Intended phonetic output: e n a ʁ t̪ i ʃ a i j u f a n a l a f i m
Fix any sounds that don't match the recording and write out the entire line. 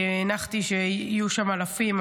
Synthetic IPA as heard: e n a χ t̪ i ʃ e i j u ʃ a m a l a f i m